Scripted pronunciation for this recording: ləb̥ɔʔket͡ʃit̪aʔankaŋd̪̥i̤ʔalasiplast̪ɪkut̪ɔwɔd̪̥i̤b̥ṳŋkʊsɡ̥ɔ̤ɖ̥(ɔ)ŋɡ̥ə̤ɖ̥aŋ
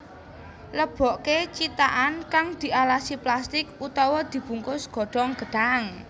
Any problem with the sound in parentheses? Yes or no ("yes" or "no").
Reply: no